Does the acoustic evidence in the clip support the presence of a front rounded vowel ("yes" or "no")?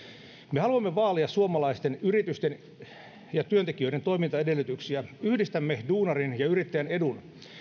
yes